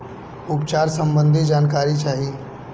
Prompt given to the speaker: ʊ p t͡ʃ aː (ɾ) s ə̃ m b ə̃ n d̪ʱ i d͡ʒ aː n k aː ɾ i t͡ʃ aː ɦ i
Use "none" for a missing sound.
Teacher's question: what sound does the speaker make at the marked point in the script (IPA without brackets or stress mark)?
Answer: ɾ